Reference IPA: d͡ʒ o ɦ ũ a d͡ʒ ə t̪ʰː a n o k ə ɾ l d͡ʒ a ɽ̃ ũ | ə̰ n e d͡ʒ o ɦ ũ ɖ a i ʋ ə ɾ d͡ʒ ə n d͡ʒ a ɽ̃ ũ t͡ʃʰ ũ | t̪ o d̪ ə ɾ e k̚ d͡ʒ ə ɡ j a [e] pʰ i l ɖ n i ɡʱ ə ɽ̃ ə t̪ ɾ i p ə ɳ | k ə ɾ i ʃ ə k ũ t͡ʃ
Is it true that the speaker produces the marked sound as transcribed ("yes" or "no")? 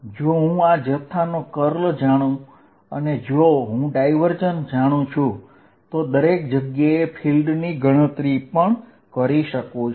yes